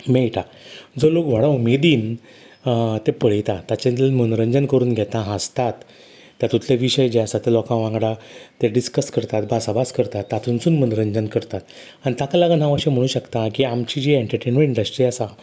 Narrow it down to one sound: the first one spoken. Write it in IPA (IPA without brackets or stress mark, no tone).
m